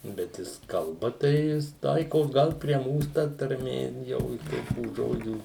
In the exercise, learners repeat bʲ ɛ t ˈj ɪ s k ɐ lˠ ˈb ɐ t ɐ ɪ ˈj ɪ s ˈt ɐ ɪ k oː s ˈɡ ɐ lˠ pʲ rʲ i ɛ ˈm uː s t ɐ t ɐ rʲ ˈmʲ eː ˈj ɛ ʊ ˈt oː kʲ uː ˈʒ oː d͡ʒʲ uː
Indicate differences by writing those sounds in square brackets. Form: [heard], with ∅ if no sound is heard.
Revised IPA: bʲ ɛ t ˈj ɪ s k ɐ lˠ ˈb ɐ t ɐ ɪ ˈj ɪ s ˈt ɐ ɪ k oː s ˈɡ ɐ lˠ pʲ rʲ i ɛ ˈm uː s t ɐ t ɐ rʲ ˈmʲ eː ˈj ɛ ʊ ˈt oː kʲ uː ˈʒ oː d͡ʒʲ uː